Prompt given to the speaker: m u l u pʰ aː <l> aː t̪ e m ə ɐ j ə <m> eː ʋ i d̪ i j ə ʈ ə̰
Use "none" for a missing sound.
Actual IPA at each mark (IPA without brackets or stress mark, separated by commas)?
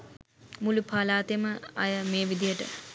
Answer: l, m